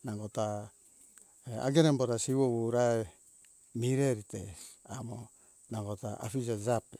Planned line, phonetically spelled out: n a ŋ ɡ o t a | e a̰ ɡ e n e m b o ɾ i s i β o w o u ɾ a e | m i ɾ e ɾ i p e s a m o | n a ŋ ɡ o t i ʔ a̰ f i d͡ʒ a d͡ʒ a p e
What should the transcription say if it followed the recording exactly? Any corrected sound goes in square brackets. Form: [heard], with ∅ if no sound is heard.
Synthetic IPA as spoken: n a ŋ ɡ o t a | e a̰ ɡ e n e m b o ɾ [a] s i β o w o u ɾ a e | m i ɾ e ɾ i [t] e s a m o | n a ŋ ɡ o t [a] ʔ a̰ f i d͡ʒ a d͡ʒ a p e